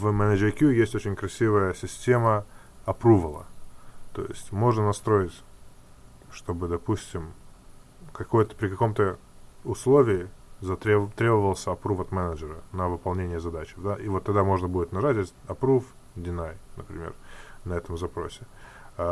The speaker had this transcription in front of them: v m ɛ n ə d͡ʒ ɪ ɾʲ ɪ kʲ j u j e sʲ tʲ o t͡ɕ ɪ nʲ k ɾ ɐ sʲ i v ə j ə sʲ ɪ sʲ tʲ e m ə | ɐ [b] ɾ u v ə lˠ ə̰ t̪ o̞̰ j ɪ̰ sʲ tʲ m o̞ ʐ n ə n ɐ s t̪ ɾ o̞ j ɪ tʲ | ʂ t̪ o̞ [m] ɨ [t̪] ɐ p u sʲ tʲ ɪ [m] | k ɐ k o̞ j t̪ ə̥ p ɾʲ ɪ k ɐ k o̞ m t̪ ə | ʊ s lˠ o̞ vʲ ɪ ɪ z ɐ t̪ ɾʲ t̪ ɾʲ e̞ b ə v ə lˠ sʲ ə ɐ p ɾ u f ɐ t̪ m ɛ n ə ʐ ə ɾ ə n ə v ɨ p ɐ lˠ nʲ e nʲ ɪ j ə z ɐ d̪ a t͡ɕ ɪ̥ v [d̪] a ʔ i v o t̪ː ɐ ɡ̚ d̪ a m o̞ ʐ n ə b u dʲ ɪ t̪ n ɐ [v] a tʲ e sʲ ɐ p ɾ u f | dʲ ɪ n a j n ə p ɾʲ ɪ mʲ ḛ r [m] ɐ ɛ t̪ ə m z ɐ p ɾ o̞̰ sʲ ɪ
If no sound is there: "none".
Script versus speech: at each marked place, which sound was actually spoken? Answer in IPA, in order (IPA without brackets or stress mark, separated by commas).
p, b, d̪, m, d̪, ʐ, n